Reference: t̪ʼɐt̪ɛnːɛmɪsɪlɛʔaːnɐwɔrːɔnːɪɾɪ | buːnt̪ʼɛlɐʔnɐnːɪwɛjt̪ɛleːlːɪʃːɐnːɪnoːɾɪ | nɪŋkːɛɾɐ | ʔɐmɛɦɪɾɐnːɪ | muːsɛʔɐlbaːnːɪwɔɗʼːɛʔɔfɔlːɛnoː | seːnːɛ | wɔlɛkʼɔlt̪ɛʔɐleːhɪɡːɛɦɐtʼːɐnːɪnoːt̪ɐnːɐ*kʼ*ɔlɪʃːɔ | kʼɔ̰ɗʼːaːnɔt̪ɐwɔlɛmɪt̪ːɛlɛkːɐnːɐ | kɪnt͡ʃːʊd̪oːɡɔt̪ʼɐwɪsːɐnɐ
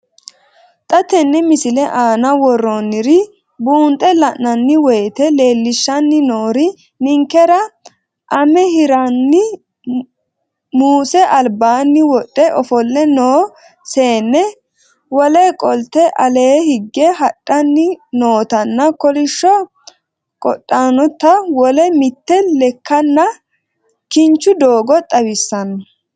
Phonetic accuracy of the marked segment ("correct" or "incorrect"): incorrect